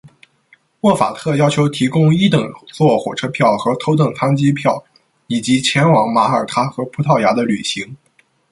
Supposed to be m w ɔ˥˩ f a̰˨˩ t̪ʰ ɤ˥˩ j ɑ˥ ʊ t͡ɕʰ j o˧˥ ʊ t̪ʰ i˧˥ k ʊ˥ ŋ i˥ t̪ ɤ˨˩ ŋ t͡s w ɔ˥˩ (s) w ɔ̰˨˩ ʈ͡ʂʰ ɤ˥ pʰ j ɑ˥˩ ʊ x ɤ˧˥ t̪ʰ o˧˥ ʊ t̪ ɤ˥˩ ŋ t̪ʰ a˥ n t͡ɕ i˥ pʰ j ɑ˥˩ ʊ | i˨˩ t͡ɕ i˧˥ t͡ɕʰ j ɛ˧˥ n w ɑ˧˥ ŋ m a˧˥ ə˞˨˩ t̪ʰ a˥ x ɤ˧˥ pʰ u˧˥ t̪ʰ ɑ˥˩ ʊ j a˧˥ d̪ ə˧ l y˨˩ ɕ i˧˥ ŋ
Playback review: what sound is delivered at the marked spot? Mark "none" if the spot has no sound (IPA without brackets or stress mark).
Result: x